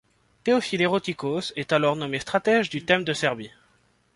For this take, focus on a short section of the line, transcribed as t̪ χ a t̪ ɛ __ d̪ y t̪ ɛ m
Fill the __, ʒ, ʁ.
ʒ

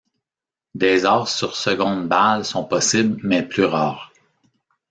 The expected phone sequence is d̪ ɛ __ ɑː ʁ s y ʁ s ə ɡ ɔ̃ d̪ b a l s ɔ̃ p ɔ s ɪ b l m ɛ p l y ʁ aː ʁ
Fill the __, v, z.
z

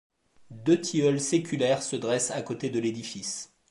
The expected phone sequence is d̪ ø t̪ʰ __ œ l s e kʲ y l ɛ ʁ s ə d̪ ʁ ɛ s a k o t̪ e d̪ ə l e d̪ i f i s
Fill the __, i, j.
i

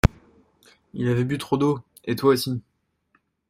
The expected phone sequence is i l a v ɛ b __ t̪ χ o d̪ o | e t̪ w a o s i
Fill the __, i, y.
y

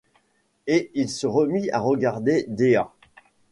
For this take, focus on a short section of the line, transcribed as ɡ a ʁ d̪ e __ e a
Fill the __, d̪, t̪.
d̪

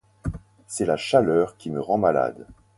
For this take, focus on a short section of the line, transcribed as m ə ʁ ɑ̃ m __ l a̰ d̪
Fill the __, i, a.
a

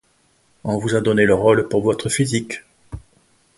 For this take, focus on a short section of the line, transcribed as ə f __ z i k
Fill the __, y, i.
i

